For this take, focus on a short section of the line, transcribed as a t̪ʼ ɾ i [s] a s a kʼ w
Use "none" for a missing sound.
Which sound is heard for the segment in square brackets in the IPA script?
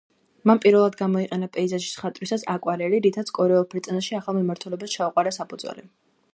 s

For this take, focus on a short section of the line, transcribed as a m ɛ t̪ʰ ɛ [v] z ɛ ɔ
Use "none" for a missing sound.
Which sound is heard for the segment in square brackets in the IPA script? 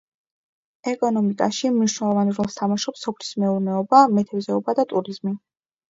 b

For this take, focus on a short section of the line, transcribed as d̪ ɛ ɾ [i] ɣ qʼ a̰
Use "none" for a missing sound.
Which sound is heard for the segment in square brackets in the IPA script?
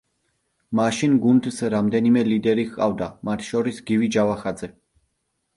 i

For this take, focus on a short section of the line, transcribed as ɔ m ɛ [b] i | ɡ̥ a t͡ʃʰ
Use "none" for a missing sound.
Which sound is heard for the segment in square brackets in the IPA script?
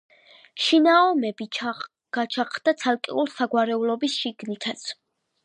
b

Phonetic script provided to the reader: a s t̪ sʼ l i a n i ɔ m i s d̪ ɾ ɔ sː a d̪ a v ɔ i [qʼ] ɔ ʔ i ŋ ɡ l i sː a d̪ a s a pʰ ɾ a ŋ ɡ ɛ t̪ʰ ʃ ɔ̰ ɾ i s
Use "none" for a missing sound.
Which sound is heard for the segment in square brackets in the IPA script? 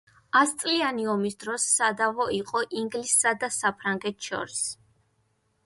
qʼ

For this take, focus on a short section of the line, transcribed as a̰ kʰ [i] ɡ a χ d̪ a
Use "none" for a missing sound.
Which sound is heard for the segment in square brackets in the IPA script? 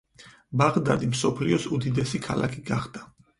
i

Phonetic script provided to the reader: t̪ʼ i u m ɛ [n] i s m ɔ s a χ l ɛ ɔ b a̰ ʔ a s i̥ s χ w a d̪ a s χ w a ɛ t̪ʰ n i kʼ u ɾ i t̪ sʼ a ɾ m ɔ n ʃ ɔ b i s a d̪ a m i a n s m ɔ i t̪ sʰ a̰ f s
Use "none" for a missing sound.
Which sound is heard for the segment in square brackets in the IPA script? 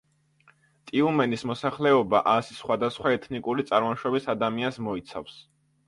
n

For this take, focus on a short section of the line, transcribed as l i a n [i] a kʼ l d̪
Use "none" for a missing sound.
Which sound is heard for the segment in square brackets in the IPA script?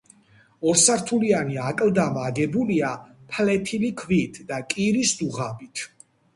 i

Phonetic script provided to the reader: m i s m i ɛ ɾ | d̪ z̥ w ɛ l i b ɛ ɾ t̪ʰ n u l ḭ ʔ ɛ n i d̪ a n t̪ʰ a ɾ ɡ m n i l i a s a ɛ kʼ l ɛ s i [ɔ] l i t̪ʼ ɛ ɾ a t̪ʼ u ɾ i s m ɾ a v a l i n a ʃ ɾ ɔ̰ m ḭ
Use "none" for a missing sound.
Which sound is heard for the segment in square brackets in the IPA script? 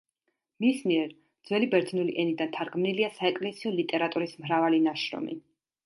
ɔ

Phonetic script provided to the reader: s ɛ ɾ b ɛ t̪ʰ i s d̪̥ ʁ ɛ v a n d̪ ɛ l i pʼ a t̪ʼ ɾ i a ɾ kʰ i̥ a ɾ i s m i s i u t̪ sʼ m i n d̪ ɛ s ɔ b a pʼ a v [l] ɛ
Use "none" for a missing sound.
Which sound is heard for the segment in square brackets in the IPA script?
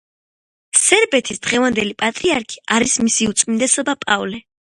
l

